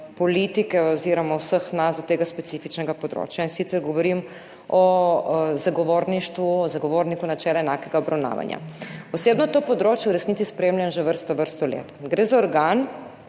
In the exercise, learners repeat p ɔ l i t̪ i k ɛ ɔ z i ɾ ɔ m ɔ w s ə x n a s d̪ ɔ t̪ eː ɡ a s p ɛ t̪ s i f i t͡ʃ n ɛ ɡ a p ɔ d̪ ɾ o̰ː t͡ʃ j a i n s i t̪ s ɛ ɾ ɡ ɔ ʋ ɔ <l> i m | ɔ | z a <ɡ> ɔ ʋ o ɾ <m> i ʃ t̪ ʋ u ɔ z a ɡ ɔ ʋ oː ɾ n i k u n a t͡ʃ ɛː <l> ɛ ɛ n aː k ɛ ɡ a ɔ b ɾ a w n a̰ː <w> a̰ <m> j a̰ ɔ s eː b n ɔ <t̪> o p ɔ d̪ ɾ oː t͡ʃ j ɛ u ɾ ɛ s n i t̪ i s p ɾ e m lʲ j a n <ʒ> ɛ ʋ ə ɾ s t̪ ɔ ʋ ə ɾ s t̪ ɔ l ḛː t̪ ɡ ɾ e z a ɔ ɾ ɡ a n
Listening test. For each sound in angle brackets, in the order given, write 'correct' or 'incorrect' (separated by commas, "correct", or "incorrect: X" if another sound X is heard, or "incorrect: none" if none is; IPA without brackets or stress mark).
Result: incorrect: ɾ, correct, incorrect: n, correct, incorrect: ʋ, incorrect: n, correct, correct